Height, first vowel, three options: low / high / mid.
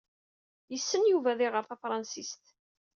mid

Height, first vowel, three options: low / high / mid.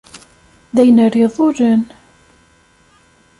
low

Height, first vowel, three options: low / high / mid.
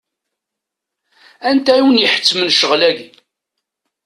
low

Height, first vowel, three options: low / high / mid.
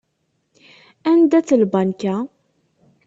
low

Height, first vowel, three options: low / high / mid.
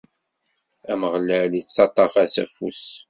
low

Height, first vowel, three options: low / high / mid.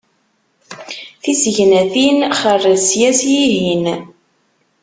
high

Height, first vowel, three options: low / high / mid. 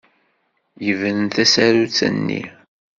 mid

